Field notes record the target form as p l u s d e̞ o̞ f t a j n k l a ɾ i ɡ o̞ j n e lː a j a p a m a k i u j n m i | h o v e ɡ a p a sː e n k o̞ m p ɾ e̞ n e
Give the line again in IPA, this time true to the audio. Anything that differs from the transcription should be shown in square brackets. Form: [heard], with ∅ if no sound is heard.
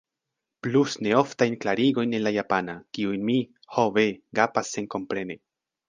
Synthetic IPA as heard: p l u s [n] e̞ o̞ f t a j n k l a ɾ i ɡ o̞ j n e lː a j a p a [n] a k i u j n m i | h o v e ɡ a p a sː e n k o̞ m p ɾ e̞ n e